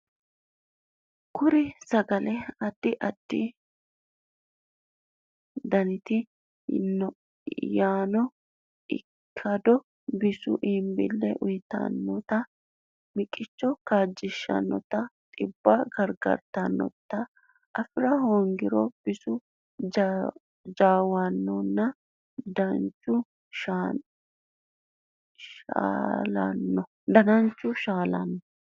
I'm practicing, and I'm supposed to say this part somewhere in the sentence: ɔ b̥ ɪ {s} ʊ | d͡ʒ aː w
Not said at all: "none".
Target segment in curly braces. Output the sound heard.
s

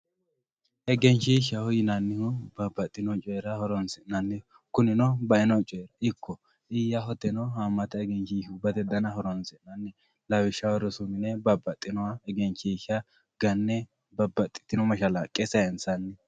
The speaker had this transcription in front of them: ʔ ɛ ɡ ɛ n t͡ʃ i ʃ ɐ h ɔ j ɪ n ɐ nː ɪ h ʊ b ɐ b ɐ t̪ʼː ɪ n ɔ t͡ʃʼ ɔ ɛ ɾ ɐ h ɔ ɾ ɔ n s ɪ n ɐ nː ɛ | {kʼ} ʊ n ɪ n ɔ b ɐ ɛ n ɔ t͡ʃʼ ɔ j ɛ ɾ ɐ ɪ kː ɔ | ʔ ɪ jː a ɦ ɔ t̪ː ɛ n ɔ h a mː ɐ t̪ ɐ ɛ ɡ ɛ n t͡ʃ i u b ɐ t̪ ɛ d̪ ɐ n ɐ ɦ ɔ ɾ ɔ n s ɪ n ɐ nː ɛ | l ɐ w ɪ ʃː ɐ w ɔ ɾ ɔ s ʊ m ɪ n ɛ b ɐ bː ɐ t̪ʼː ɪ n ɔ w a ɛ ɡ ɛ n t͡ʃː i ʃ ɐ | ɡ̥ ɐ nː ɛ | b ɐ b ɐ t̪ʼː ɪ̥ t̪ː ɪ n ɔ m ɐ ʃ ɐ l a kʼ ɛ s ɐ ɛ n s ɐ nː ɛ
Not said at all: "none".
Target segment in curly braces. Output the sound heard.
k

